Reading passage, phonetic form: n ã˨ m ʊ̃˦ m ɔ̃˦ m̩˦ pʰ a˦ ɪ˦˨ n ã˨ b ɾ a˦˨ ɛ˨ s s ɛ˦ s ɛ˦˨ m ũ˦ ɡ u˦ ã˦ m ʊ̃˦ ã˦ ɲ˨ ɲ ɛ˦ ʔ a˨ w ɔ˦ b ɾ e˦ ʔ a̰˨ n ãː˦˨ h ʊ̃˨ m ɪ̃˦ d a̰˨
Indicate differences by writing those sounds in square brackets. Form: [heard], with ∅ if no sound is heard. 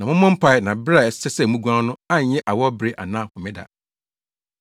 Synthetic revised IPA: n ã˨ m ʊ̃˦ m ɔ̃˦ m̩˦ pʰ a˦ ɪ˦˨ n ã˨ b ɾ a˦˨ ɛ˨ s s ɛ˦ s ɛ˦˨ m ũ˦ ɡ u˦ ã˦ [n] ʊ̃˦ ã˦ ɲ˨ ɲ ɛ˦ ʔ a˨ w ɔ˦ b ɾ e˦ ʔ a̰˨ n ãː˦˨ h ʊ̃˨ m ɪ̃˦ d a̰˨